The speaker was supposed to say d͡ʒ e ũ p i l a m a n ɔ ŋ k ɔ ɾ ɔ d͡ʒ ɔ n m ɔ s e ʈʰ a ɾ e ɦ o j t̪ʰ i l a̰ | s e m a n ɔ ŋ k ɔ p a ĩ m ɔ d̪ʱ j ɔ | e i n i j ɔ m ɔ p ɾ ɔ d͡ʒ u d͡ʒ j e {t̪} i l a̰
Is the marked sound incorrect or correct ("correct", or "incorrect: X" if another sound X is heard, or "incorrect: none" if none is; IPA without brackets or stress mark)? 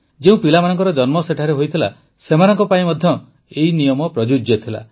incorrect: t̪ʰ